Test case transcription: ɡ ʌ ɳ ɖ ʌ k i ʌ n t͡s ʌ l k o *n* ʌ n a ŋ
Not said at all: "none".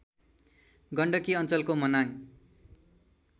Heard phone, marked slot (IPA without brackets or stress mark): m